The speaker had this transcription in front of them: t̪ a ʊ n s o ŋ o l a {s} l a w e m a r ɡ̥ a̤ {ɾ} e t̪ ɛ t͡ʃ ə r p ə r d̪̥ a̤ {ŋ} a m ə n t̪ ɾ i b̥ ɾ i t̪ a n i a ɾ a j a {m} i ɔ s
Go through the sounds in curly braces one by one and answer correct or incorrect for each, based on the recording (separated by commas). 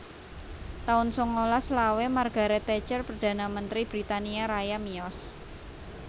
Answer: correct, correct, incorrect, correct